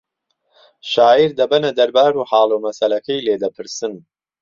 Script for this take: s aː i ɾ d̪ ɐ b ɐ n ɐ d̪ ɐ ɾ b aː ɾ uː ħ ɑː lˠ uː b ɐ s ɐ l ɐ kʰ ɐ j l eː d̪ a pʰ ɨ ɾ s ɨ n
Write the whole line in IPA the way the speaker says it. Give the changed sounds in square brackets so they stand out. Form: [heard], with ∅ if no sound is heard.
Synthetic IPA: [ʃ] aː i ɾ d̪ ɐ b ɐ n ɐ d̪ ɐ ɾ b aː ɾ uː ħ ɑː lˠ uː [m] ɐ s ɐ l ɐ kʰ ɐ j l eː d̪ [ɐ] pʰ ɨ ɾ s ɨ n